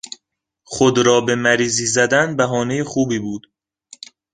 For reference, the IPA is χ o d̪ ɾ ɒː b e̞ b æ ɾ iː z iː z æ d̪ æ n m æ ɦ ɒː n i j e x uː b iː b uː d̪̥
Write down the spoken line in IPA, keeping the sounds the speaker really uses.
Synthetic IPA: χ o d̪ ɾ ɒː b e̞ m æ ɾ iː z iː z æ d̪ æ n b æ ɦ ɒː n e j e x uː b iː b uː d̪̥